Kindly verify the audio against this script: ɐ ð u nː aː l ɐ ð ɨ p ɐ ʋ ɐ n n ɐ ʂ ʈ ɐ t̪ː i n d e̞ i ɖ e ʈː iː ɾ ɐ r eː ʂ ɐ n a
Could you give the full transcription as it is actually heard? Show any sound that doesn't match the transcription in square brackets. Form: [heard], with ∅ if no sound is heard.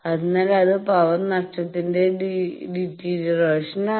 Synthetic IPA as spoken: ɐ ð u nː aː l ɐ ð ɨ p ɐ ʋ ɐ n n ɐ ʂ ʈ ɐ t̪ː i n d e̞ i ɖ [i] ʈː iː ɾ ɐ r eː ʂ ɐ n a

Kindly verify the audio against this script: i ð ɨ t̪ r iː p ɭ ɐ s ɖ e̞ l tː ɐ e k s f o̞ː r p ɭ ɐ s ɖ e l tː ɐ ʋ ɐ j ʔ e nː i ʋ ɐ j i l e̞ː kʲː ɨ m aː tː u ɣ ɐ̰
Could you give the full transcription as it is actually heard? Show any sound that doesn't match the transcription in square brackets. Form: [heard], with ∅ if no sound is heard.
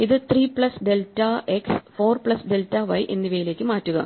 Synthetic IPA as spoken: i ð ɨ t̪ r iː p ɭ ɐ s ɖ e̞ l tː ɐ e k s f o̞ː r p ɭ ɐ s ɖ e l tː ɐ ʋ ɐ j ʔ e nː i ʋ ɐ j i l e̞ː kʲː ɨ m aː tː u ɣ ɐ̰

